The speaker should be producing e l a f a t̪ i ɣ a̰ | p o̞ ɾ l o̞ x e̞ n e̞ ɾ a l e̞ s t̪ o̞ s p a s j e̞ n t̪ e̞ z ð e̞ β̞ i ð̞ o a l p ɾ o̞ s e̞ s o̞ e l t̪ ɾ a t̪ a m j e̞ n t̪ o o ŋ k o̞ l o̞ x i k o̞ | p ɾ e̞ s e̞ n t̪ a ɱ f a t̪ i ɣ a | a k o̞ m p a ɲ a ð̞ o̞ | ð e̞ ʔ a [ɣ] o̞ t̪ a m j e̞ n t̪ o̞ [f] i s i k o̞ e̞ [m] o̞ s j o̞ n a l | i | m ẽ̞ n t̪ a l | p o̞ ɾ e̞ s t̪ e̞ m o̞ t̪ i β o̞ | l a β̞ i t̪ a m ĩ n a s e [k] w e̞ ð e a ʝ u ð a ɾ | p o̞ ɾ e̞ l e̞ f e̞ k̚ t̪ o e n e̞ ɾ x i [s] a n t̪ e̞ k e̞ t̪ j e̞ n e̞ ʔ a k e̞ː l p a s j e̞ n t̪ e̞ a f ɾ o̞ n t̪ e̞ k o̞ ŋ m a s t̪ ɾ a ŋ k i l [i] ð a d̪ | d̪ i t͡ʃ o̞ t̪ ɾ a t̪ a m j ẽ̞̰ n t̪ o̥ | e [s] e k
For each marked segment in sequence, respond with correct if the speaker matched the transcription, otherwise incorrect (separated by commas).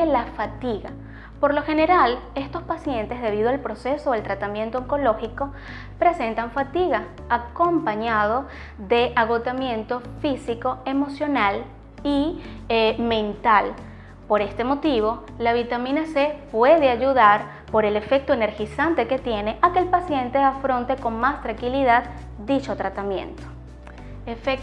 correct, correct, correct, incorrect, correct, correct, incorrect